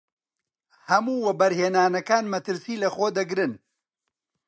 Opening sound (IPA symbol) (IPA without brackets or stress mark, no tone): h